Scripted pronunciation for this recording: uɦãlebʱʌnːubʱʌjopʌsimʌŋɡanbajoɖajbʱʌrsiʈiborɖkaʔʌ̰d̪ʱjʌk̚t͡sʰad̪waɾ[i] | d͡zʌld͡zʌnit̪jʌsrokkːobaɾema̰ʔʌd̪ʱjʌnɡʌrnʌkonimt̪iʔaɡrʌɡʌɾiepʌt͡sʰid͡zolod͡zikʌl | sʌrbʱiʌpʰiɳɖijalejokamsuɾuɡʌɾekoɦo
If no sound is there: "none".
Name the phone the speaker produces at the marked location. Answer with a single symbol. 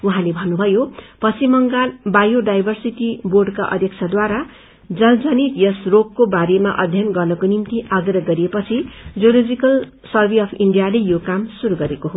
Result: a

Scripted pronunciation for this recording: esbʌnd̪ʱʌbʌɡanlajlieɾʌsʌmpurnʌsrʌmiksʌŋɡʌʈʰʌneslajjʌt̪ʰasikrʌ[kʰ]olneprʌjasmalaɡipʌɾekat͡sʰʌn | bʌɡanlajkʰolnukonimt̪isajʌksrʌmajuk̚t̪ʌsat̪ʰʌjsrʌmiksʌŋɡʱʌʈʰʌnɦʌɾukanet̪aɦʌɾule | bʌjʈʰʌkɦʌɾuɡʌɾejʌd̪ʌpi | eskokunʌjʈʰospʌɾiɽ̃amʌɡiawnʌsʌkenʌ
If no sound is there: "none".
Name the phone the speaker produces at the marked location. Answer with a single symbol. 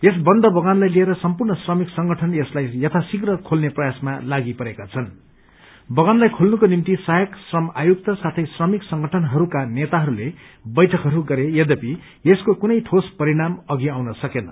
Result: kʰ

